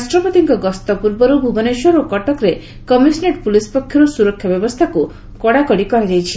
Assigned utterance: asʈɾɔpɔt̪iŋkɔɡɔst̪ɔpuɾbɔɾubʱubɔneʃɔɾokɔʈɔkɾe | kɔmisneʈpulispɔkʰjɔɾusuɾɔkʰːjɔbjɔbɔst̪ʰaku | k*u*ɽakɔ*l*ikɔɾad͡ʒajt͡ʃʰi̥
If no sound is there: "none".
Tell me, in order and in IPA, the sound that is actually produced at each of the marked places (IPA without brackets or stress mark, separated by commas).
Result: ɔ, ɽ